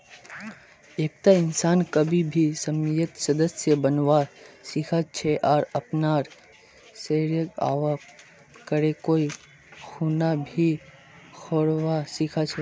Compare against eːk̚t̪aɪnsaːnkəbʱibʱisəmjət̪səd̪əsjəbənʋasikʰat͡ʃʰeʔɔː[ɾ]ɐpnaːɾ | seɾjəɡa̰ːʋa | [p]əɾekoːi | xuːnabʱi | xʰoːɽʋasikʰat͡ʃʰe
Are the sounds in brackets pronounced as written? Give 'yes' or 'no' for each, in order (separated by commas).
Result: yes, no